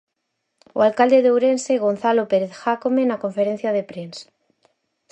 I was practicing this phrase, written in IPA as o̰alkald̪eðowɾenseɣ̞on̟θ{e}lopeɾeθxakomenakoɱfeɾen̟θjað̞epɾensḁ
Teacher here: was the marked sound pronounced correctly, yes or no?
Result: no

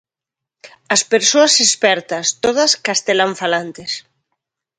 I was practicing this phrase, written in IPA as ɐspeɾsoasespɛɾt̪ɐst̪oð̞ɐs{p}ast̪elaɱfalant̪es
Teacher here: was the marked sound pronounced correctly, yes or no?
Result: no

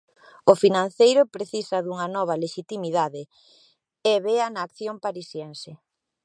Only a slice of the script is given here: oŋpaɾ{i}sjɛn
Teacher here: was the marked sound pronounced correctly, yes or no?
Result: yes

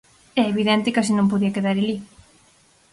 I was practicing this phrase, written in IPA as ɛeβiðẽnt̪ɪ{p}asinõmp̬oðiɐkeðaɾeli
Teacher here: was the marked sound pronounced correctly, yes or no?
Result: no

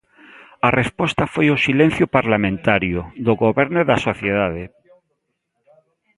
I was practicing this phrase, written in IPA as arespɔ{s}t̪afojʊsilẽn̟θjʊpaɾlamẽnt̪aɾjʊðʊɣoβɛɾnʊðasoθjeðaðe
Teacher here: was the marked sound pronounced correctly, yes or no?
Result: yes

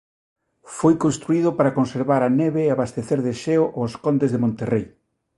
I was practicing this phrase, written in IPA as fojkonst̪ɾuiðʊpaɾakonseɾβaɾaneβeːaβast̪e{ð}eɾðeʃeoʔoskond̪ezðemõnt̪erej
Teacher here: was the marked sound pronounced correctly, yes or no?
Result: no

